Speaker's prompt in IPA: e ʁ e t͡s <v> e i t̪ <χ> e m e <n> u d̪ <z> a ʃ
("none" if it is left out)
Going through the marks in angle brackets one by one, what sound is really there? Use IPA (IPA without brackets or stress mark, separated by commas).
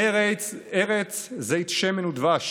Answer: z, ʃ, n, v